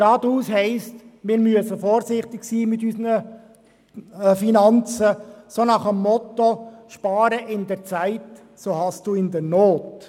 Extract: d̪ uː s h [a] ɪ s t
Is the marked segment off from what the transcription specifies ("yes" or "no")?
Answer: yes